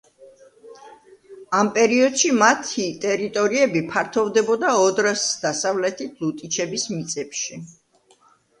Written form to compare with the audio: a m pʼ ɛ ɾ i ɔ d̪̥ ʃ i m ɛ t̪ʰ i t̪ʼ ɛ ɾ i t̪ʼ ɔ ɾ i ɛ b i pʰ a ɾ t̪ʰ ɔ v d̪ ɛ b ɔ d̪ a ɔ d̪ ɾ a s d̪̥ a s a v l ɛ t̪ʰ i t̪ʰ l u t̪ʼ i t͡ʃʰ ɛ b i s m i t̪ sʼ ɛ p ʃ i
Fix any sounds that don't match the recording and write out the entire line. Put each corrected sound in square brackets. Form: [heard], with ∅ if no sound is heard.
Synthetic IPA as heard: a m pʼ ɛ ɾ i ɔ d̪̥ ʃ i m [a] t̪ʰ i t̪ʼ ɛ ɾ i t̪ʼ ɔ ɾ i ɛ b i pʰ a ɾ t̪ʰ ɔ v d̪ ɛ b ɔ d̪ a ɔ d̪ ɾ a s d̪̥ a s a v l ɛ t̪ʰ i t̪ʰ l u t̪ʼ i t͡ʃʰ ɛ b i s m i t̪ sʼ ɛ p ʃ i